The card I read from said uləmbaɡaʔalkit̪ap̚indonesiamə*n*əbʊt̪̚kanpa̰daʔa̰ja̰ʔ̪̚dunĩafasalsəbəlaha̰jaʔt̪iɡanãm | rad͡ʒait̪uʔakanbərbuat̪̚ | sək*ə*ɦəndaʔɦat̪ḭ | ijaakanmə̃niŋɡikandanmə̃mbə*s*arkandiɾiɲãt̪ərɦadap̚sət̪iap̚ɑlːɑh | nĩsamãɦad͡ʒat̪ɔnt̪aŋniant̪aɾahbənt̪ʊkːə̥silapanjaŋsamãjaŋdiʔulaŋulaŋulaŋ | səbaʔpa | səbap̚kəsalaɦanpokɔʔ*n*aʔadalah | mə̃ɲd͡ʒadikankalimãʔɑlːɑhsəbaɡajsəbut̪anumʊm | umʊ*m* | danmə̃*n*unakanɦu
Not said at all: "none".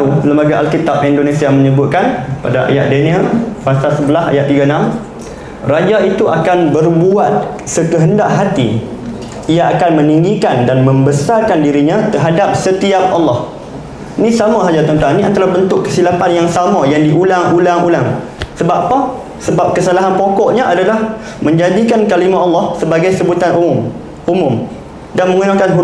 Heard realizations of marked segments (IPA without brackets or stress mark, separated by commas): ɲ, ə, s, ɲ, m, ŋ